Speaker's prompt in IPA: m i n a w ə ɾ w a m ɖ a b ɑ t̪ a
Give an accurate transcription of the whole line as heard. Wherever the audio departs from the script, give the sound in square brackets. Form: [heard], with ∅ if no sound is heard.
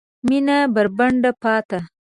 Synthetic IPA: m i n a [b] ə ɾ [b] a [ɳ] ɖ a [p] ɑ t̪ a